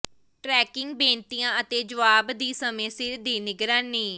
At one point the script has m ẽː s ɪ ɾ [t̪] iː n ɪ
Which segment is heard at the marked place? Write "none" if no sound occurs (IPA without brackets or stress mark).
d̪